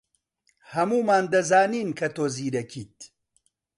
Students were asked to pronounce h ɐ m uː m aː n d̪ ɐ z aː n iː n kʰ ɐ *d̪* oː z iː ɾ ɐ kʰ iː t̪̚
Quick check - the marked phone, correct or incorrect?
incorrect